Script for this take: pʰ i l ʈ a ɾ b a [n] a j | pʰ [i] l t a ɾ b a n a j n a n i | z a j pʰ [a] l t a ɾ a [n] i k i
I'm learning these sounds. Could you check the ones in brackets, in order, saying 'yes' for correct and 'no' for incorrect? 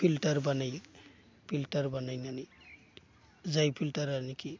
yes, yes, no, yes

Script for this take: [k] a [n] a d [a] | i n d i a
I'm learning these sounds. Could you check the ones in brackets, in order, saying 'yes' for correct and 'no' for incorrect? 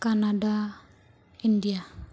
yes, yes, yes

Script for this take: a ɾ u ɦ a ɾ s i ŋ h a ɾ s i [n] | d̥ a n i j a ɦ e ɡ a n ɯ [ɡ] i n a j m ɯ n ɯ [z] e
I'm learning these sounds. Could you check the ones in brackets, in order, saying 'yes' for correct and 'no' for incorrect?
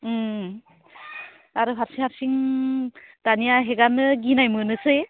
no, yes, no

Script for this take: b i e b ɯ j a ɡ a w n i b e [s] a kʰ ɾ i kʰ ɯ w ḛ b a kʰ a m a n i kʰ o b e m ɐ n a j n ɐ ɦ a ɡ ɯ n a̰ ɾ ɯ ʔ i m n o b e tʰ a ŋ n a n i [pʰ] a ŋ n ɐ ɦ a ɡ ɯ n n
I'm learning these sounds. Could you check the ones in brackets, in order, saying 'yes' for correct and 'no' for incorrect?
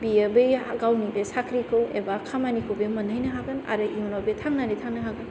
yes, no

